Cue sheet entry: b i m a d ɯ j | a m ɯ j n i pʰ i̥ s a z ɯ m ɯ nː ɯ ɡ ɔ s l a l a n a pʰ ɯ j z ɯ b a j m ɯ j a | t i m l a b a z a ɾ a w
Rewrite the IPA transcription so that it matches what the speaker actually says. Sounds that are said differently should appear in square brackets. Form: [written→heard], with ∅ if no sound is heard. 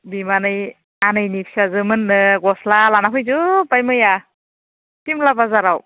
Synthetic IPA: b i m a [d→n] ɯ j | a [m→n] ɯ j n i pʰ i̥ s a z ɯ m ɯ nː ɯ ɡ ɔ s l a l a n a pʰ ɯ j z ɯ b a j m ɯ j a | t i m l a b a z a ɾ a w